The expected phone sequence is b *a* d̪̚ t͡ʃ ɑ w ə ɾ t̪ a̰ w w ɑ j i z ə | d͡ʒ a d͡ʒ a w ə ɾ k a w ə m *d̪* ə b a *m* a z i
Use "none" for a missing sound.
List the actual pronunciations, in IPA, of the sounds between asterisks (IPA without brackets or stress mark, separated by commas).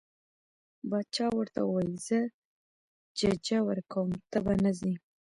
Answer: ɑ, t̪, n